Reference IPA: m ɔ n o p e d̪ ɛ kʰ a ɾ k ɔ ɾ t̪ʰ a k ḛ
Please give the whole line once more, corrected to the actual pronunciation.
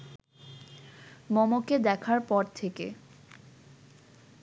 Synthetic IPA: m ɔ m o k e d̪ ɛ kʰ a ɾ p ɔ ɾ t̪ʰ e k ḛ